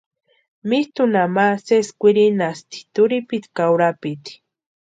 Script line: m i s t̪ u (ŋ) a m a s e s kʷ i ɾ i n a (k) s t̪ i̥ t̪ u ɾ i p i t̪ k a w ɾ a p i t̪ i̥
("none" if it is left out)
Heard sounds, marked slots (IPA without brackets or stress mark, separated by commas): n, none